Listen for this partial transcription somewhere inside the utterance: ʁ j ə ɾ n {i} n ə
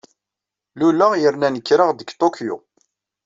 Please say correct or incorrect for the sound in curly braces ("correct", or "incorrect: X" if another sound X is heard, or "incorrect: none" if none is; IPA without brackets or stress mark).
incorrect: æ